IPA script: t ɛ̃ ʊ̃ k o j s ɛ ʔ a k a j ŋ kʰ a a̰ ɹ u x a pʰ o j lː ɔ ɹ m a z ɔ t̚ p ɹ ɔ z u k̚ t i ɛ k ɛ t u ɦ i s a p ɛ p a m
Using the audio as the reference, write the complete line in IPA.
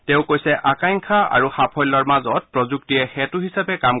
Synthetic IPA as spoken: t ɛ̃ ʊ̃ k o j s ɛ ʔ a k a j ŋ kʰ a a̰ ɹ u x a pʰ ɔ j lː ɔ ɹ m a z ɔ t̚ p ɹ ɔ z u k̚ t i ɛ x ɛ t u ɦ i s a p ɛ k a m